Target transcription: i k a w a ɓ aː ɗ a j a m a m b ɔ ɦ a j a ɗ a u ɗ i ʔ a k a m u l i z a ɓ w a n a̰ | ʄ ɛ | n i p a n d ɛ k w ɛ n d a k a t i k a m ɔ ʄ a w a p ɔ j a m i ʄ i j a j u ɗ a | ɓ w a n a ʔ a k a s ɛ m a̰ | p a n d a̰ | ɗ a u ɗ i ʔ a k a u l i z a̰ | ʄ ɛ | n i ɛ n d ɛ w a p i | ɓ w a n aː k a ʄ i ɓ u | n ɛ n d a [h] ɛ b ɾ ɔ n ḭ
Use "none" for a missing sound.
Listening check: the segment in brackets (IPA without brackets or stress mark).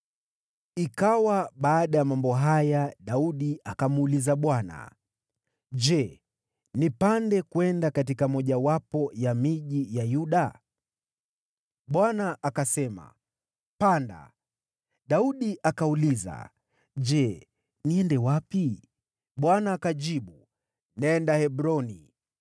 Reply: h